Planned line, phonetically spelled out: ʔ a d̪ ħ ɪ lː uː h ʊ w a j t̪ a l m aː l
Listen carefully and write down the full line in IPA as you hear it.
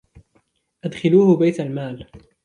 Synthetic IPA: ʔ a d̪ x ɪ l uː h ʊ b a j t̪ a l m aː l